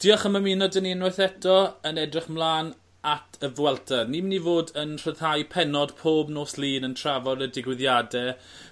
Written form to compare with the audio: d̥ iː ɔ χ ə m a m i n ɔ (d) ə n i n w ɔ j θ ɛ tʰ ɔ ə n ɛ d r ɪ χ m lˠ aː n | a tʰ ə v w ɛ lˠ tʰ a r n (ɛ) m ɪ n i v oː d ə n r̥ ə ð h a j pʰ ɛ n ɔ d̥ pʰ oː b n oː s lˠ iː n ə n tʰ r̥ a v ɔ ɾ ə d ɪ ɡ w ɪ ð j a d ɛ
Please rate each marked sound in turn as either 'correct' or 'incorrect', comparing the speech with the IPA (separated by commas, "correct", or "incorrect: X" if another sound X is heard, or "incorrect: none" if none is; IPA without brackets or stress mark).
correct, incorrect: i